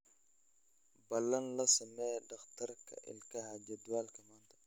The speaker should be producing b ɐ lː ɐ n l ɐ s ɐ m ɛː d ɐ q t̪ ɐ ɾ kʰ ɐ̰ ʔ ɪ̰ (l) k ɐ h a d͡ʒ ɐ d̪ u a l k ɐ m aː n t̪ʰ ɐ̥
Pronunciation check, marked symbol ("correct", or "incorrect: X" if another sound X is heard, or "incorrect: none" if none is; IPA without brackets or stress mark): correct